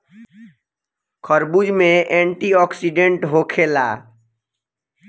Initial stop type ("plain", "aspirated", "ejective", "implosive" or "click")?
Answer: aspirated